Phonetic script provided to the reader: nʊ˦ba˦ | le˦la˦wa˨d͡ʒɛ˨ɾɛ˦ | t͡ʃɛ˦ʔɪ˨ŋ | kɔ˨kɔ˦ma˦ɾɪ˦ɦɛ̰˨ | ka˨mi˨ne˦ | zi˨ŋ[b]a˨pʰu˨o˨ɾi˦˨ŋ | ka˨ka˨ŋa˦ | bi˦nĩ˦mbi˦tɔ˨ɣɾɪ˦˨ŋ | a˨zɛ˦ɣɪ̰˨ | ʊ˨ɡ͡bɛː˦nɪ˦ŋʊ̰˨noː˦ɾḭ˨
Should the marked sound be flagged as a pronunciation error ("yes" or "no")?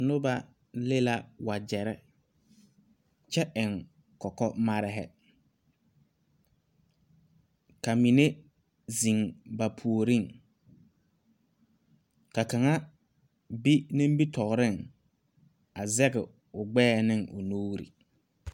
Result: no